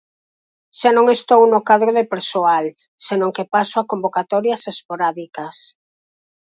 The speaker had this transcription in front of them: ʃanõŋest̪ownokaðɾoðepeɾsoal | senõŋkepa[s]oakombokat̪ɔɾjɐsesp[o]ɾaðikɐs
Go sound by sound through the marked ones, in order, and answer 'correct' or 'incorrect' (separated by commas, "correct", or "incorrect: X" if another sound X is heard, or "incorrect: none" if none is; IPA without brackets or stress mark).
correct, correct